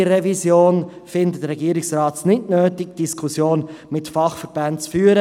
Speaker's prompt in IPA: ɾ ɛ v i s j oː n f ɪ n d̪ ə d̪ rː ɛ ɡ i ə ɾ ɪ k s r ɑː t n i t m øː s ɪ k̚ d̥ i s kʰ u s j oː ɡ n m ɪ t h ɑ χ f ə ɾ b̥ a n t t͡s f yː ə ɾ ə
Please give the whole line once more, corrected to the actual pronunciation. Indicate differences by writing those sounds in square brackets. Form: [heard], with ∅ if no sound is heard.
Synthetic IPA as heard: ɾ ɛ v i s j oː n f ɪ n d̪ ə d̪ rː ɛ ɡ i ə ɾ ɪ k s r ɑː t n [ɪ] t [n] øː [t] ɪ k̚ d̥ i s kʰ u s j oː [∅] n m ɪ t [f] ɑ χ f ə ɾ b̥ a n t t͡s f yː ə ɾ ə